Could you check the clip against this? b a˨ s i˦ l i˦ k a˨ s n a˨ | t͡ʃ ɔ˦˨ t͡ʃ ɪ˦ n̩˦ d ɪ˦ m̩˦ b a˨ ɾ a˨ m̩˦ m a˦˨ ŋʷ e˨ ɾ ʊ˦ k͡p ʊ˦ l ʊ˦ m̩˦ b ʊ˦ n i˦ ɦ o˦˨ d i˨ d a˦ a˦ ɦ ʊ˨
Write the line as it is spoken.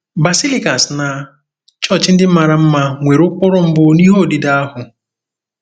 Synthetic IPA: b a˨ s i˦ l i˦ k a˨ s n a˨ | t͡ʃ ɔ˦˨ t͡ʃ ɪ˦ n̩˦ d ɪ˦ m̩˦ m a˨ ɾ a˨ m̩˦ m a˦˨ ŋʷ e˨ ɾ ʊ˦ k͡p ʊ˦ ɾ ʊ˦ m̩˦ b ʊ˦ n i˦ ɦ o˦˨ d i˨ d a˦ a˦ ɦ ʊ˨